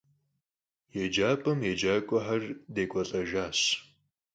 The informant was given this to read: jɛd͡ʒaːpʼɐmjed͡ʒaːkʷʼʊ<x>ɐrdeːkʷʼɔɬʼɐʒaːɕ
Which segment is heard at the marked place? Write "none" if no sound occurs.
ħ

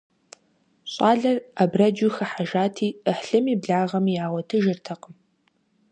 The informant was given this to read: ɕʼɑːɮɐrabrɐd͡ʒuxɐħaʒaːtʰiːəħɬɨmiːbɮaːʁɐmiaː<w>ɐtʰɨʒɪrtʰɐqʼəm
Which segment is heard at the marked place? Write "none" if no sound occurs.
w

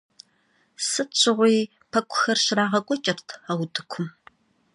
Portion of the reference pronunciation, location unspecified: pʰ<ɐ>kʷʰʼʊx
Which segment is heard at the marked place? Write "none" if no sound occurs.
ɐ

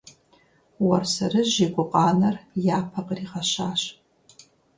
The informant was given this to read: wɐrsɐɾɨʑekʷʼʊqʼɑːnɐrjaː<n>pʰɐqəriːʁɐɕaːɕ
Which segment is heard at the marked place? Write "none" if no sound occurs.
none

